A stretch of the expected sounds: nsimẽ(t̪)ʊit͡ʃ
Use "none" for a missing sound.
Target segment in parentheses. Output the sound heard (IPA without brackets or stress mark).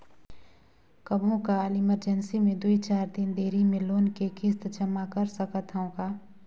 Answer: d̪